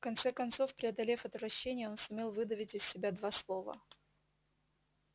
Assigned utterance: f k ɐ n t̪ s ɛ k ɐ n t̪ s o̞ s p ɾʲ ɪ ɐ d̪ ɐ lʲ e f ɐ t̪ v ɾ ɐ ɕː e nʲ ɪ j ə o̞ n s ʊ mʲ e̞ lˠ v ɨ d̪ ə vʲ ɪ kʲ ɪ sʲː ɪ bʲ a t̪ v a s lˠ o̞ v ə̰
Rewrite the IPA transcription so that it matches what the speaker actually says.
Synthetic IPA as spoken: f k ɐ n t̪ s ɛ k ɐ n t̪ s o̞ f p ɾʲ ɪ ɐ d̪ ɐ lʲ e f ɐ t̪ v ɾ ɐ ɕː e nʲ ɪ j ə o̞ n s ʊ mʲ e̞ lˠ v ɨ d̪ ə vʲ ɪ tʲ ɪ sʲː ɪ bʲ a d̪ v a s lˠ o̞ v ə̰

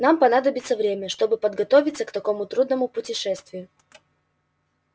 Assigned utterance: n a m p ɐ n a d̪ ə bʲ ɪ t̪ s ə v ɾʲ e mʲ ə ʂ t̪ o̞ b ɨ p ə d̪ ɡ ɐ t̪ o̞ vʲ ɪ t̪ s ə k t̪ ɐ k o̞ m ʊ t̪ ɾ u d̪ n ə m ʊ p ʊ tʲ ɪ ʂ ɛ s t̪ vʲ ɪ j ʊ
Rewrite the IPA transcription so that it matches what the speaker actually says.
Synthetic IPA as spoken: n a m p ɐ n a d̪ ə bʲ ɪ t̪ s ə v ɾʲ e mʲ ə ʂ t̪ o̞ b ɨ p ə d̪ ɡ ɐ t̪ o̞ vʲ ɪ t̪ s ə k t̪ ɐ k o̞ m ʊ t̪ ɾ u d̪ n ə m ʊ p ʊ tʲ ɪ ʂ ɛ s t̪ vʲ ɪ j ʊ

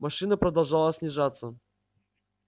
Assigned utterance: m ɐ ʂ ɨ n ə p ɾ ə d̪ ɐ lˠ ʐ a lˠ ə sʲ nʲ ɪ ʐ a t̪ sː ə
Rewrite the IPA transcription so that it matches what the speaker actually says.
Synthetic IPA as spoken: m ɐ ʂ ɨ n ə p ɾ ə d̪ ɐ lˠ ʐ a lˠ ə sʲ nʲ ɪ ʐ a t̪ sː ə

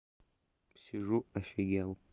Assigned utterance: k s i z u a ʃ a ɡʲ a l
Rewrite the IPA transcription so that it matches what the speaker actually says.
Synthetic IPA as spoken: p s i ʐ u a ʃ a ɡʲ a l

